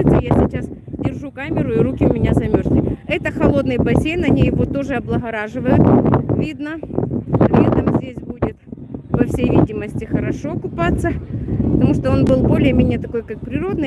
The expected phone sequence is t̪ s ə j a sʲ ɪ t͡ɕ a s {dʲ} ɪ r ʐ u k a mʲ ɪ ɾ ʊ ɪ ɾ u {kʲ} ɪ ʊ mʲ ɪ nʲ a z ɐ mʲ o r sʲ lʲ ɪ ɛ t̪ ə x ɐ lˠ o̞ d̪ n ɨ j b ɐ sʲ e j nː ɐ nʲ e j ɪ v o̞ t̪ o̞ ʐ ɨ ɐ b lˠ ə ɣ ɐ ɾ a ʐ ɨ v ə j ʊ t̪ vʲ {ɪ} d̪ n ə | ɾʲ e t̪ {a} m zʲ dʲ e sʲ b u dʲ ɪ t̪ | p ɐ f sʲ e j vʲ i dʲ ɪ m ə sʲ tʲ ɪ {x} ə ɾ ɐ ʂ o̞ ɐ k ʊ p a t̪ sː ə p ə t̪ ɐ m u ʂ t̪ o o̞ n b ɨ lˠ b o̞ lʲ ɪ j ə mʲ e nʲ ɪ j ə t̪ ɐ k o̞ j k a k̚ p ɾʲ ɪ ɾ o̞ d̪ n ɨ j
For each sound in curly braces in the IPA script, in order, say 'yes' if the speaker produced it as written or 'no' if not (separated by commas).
yes, yes, no, no, yes